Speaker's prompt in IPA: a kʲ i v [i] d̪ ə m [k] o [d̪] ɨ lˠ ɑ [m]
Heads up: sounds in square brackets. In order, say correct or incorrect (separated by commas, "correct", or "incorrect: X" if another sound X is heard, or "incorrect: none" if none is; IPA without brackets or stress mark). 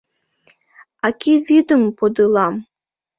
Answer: correct, incorrect: p, correct, correct